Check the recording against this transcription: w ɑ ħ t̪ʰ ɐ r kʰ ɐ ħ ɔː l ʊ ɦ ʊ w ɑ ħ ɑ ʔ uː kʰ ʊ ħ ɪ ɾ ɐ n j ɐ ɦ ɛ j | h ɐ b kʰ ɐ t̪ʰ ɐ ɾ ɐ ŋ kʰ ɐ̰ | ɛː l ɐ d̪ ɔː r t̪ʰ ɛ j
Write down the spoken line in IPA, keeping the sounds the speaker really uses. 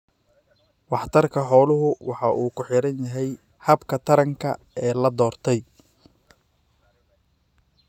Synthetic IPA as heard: w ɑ ħ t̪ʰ ɐ r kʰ ɐ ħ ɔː l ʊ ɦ ʊ w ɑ ħ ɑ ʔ uː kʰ ʊ ħ ɪ ɾ ɐ n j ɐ ɦ ɛ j | h ɐ b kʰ ɐ t̪ʰ ɐ ɾ ɐ ŋ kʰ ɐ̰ | ɛː l ɐ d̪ ɔː r t̪ʰ ɛ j